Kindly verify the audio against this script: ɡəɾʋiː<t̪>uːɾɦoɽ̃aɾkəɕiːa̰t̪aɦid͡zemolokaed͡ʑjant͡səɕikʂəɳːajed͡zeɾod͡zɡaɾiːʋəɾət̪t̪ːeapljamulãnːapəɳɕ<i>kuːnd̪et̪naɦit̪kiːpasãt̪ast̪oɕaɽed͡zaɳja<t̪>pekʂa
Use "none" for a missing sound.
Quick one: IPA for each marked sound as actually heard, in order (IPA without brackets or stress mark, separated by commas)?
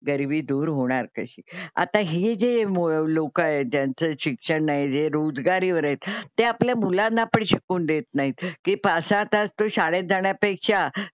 d̪, i, none